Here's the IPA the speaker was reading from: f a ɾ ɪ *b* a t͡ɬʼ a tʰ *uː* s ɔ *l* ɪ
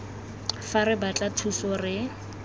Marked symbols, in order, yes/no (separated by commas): yes, no, no